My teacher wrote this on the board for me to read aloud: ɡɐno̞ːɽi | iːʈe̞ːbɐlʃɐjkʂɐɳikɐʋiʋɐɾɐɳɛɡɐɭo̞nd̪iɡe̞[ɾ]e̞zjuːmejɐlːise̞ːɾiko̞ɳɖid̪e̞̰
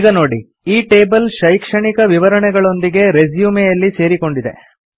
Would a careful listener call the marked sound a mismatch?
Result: no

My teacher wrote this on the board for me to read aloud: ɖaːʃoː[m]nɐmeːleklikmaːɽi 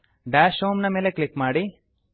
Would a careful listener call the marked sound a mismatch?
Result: no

